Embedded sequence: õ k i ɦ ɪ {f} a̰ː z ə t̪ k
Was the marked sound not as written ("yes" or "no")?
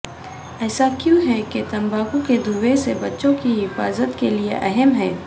no